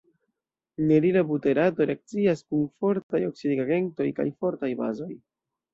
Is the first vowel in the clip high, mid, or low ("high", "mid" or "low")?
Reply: mid